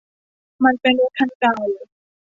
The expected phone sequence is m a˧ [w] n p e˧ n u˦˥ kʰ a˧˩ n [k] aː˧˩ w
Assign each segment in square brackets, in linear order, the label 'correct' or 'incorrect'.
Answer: incorrect: none, correct

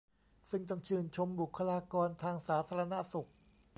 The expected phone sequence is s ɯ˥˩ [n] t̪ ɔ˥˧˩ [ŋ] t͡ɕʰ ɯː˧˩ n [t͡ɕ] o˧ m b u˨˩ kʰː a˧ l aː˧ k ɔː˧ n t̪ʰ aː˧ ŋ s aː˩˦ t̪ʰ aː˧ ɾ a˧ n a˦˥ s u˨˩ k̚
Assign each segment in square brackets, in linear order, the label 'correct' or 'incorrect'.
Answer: incorrect: ŋ, correct, incorrect: t͡ɕʰ

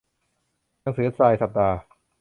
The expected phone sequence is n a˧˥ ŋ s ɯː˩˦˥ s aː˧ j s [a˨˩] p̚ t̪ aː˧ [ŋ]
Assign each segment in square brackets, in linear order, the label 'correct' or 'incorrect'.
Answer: correct, incorrect: none

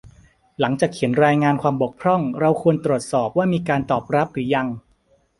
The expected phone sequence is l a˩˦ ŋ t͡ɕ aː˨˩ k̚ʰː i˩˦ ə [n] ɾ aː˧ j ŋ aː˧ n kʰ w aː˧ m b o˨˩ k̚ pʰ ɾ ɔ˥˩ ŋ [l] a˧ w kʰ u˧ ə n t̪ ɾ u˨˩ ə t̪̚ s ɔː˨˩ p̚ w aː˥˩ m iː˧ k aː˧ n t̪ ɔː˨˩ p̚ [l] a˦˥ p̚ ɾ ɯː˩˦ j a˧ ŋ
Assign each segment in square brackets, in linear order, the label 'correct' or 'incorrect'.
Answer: correct, incorrect: ɾ, incorrect: ɾ

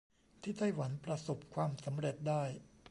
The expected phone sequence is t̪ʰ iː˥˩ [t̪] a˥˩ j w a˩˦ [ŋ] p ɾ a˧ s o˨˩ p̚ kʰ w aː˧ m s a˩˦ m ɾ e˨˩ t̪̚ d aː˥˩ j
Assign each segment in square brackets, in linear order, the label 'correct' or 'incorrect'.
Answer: correct, incorrect: n

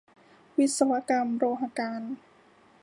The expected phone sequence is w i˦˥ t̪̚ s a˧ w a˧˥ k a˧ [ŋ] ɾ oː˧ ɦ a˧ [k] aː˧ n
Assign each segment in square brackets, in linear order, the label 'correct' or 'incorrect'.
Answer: incorrect: m, correct

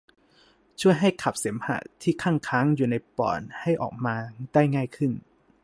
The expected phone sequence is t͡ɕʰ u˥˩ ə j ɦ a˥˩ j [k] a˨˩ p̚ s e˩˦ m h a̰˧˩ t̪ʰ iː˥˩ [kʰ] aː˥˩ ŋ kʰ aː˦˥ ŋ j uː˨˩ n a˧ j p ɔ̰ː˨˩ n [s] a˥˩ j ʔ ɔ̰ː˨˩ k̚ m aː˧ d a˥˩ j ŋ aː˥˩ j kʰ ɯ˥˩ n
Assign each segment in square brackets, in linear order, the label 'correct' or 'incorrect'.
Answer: incorrect: kʰ, correct, incorrect: h

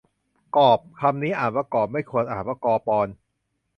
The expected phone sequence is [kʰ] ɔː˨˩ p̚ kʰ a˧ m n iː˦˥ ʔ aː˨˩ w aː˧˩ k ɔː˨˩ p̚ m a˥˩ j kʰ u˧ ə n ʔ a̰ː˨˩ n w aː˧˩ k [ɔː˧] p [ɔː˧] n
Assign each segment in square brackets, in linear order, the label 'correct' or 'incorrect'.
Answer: incorrect: k, correct, correct

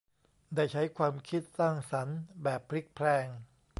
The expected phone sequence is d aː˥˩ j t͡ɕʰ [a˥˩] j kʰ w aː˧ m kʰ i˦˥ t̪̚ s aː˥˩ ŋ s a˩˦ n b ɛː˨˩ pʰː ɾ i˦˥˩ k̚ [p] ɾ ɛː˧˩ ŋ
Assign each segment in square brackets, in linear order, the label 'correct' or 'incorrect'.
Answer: incorrect: a˦˥, incorrect: pʰ

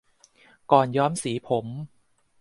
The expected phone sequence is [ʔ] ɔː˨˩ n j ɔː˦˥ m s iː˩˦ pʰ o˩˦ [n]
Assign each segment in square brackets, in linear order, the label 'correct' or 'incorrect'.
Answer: incorrect: k, incorrect: m

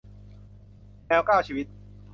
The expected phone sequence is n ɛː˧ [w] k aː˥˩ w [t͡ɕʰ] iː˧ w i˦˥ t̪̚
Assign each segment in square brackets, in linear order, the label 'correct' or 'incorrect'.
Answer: correct, correct

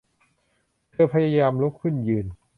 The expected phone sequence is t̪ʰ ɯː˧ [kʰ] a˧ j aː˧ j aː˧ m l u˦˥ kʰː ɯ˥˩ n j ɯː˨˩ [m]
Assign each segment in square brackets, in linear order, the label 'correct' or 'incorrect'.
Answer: incorrect: pʰ, incorrect: n

